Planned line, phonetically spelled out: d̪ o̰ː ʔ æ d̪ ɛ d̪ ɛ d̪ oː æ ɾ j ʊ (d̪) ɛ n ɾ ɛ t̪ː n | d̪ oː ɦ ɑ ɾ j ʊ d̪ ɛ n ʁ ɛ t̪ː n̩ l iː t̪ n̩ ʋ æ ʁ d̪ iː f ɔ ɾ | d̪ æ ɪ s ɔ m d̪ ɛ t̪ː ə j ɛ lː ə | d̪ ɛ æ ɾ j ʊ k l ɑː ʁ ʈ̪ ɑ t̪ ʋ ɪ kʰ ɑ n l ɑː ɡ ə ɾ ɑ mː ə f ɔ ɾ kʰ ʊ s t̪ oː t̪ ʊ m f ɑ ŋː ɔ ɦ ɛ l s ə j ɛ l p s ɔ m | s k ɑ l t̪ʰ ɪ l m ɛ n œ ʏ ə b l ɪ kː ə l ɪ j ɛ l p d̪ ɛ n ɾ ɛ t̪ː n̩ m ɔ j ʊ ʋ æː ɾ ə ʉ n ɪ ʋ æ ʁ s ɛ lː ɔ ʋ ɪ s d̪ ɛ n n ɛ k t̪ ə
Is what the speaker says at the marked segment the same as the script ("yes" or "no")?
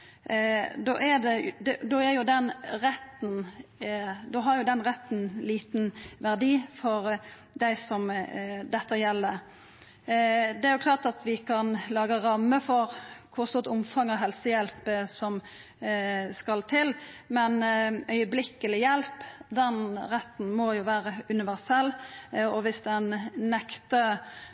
yes